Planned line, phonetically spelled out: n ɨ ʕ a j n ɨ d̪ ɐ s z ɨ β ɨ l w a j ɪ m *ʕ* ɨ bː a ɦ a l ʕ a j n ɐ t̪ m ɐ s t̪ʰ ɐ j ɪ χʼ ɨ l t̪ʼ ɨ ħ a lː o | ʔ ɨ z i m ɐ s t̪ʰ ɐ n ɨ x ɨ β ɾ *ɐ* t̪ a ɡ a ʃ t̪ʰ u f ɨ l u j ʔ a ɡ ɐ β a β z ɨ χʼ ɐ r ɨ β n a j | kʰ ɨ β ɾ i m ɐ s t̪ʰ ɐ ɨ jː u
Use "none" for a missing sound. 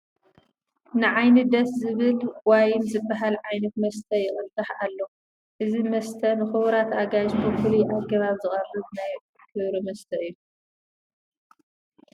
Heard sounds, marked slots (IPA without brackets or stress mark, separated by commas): z, a